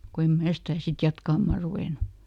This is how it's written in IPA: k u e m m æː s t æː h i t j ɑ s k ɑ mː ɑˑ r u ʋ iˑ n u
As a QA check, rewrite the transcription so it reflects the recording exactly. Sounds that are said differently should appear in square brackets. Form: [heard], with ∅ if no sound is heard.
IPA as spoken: k [o] e m m æː s t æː [s] i t j ɑ [t] k ɑ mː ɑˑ r u ʋ [eˑ] n u

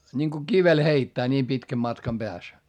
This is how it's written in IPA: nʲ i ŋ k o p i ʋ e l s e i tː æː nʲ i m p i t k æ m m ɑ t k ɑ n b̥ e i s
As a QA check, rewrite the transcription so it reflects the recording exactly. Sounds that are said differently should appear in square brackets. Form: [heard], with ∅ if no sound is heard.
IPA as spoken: nʲ i ŋ k o [k] i ʋ e l [h] e i tː æː nʲ [iː] m p i t k æ m m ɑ t k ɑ [m] b̥ e [æ] s

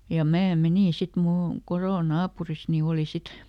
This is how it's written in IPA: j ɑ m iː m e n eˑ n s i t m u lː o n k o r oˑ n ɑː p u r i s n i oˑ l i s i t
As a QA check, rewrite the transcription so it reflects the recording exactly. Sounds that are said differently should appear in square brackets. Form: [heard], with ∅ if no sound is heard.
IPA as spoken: j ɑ m [æː] m e n [iˑ] n s i t m u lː o n k o r oˑ n ɑː p u r i s n i oˑ l i s i t

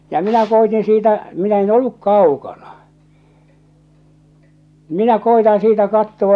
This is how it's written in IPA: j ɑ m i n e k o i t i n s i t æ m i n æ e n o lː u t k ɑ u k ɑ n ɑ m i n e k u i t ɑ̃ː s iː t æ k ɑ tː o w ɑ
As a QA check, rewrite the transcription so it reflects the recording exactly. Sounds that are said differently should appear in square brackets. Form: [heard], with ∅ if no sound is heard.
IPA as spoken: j ɑ m i n [æ] k o i t i n s [iː] t æ m i n æ e n o lː u [k] k ɑ u k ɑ n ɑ m i n [æ] k [o] i t ɑ̃ː s iː t æ k ɑ tː o w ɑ

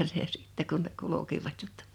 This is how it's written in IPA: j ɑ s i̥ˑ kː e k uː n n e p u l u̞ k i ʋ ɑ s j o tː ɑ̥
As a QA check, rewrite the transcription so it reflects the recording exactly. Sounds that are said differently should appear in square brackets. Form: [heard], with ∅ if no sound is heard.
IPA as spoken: j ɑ s i̥ˑ [tː] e k [u] n n e [k] u l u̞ k i ʋ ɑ [t] j o tː ɑ̥

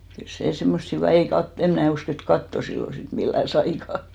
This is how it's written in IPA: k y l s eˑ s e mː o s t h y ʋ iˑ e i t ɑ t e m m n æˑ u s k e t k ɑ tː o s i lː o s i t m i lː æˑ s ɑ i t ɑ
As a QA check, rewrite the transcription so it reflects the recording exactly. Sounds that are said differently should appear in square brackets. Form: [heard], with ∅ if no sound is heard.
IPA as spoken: k y l s eˑ s e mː o s t h y ʋ iˑ e i [k] ɑ t e m m n æˑ u s k e t k ɑ tː o s i lː o s i t m i lː æˑ s ɑ i [k] ɑ

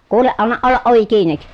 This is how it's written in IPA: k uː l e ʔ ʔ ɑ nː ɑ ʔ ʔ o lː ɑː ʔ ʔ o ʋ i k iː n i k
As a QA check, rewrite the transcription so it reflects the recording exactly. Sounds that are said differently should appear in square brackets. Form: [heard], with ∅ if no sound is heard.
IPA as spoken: k uː l e ʔ ʔ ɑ nː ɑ ʔ ʔ o lː [ɑ] ʔ ʔ o ʋ i k iː n i k

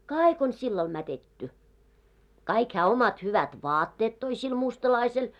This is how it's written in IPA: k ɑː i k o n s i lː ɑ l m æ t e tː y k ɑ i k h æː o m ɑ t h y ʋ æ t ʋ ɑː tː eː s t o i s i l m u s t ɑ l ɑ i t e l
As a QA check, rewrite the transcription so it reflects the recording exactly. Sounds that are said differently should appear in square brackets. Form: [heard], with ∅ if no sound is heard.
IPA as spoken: k ɑː i k o n s i lː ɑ l m æ t e tː y k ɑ i k h æː o m ɑ t h y ʋ æ t ʋ ɑː tː eː [t] t o i s i l m u s t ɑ l ɑ i [s] e l

